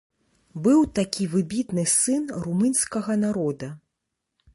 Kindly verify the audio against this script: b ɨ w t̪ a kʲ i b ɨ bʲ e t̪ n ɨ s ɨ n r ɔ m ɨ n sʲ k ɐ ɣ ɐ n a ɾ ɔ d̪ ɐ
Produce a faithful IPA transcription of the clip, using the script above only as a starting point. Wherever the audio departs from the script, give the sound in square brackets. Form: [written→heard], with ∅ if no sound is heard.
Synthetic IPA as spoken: b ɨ w t̪ a kʲ i [b→v] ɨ bʲ [e→i] t̪ n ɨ s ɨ n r [ɔ→u] m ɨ n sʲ k ɐ ɣ ɐ n a ɾ ɔ d̪ ɐ